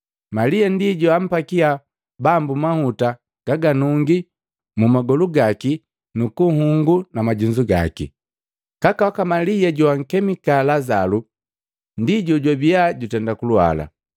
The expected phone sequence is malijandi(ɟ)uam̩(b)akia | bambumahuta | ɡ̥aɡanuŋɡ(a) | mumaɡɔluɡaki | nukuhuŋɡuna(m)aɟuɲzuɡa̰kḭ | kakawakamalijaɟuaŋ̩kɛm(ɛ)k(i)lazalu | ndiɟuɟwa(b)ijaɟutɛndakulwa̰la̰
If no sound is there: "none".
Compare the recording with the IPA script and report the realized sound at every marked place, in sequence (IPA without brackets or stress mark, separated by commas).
ɟ, p, i, m, i, a, b